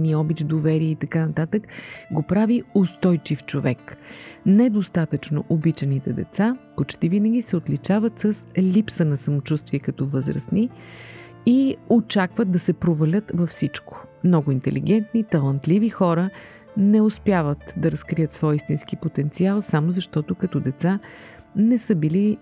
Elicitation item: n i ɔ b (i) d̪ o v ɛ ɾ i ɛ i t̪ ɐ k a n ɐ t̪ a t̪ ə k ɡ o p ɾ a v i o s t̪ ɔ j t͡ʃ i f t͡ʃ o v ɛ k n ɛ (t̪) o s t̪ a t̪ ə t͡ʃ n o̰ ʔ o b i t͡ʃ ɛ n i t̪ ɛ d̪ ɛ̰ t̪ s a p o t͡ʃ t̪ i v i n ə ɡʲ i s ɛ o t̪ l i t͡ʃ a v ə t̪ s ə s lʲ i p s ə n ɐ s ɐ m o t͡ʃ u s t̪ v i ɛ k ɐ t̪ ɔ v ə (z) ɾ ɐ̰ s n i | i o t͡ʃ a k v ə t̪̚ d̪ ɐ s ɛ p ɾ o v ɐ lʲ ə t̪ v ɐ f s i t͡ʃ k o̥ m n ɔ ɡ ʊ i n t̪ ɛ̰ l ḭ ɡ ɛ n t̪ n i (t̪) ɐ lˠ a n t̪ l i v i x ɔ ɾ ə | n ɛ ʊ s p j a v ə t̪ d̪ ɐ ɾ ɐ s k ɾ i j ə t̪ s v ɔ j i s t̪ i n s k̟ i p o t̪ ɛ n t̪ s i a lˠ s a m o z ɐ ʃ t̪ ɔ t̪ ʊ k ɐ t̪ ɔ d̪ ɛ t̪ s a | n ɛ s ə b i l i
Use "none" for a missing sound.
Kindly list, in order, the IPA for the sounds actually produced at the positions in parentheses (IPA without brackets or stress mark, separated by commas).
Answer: i, d̪, z, t̪